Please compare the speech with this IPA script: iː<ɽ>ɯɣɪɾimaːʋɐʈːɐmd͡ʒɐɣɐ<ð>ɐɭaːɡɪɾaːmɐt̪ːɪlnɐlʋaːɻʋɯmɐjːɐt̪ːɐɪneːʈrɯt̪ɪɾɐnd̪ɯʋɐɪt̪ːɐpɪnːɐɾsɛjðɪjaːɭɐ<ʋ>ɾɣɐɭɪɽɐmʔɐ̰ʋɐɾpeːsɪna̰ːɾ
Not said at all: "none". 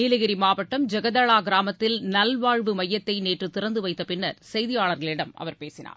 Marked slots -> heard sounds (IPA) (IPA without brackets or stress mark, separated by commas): l, ð, none